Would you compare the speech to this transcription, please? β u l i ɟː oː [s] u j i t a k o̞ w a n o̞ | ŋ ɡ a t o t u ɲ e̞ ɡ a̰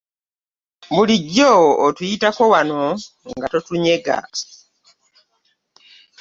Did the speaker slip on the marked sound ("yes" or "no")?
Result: yes